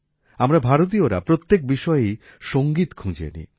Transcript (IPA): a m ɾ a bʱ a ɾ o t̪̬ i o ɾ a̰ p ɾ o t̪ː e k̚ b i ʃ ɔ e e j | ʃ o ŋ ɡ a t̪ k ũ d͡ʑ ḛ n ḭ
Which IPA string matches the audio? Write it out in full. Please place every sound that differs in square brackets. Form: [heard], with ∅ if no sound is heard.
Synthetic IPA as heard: a m ɾ a bʱ a ɾ o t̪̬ i o ɾ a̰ p ɾ o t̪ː e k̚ b i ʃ ɔ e e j | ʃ o ŋ ɡ [i] t̪ [kʰ] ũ d͡ʑ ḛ n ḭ